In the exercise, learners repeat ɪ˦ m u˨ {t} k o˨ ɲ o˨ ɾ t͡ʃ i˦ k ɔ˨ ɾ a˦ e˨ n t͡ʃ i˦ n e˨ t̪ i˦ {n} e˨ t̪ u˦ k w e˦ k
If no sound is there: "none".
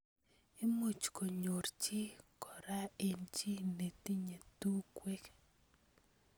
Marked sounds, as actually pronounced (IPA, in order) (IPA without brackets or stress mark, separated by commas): t͡ʃ, ɲ